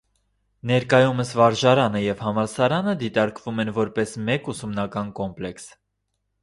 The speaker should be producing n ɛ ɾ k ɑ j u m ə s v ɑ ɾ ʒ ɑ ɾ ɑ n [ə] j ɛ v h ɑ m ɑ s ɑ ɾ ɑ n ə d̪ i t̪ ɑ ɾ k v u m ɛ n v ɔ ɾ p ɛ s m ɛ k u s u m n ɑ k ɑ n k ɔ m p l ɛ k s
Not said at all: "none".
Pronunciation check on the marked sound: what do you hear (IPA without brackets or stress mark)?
ə